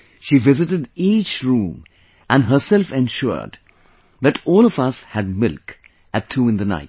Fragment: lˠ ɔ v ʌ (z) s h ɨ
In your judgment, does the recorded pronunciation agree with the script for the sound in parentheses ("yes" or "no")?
no